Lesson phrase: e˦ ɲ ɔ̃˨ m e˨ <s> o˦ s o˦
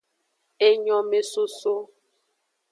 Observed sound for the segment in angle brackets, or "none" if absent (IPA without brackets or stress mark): s